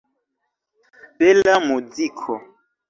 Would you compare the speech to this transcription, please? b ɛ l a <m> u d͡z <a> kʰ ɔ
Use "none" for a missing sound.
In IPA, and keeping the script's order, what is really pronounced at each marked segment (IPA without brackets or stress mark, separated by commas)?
m, i